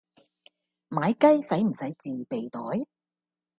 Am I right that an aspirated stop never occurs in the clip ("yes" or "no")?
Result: yes